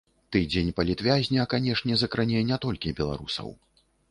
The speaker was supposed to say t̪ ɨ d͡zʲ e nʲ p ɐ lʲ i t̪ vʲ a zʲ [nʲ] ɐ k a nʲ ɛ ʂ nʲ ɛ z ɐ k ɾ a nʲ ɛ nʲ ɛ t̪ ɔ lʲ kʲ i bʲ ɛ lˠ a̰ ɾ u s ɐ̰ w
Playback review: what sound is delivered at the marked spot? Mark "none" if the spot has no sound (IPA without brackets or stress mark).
nʲ